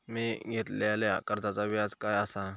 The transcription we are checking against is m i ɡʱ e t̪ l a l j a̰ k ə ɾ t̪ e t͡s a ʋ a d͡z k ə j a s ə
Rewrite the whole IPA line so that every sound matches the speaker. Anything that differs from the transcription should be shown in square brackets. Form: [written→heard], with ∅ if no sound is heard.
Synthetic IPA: m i ɡʱ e t̪ l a l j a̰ k ə ɾ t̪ [e→a] t͡s a ʋ a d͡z k [ə→a] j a s [ə→a]